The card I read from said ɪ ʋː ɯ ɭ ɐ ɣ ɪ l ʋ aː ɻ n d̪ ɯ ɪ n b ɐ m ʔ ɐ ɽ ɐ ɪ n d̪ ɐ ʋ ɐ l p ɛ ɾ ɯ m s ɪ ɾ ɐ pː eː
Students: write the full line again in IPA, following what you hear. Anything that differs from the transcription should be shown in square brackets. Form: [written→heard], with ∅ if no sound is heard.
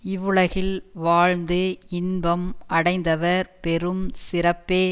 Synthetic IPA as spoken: ɪ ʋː ɯ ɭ ɐ ɣ ɪ l ʋ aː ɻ n d̪ ɯ ɪ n b ɐ m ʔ ɐ ɽ ɐ ɪ n d̪ ɐ ʋ ɐ [l→ɾ] p ɛ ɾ ɯ m s ɪ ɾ ɐ pː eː